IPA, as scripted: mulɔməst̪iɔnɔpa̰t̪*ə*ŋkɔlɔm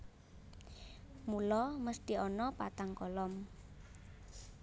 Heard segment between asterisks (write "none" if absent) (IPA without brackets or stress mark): a